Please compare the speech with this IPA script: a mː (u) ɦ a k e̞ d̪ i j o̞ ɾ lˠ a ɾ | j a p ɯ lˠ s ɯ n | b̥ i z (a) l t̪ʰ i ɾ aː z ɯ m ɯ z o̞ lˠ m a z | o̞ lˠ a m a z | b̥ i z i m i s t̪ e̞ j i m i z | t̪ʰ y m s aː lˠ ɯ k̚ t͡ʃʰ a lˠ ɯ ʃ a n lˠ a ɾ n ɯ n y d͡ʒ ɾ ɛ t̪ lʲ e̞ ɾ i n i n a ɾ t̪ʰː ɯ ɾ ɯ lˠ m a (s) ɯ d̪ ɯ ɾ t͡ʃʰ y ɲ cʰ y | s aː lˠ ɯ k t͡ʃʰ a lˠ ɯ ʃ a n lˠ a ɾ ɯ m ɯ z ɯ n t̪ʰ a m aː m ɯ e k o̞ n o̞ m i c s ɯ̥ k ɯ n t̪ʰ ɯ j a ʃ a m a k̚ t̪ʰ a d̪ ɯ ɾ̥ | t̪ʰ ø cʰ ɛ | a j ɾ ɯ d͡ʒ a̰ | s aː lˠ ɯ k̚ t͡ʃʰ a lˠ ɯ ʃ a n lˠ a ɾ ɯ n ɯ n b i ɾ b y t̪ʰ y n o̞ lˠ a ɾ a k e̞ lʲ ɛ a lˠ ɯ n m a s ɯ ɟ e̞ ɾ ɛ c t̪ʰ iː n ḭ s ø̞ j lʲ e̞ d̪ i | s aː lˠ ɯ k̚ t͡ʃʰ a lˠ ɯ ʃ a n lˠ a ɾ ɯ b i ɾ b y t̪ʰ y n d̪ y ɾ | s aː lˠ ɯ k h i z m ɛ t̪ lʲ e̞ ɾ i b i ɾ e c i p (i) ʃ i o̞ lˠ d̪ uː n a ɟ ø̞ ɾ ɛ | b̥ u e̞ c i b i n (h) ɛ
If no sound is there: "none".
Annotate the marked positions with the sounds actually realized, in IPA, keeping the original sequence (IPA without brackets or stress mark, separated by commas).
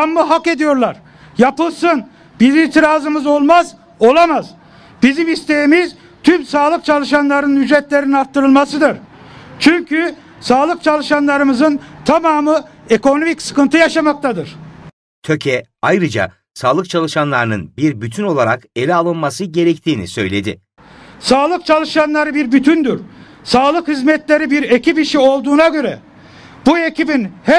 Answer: ɯ, i, s, i, h